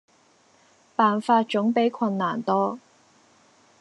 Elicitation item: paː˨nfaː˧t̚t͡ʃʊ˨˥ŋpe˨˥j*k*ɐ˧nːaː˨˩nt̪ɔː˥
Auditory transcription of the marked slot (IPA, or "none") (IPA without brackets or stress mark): kʰ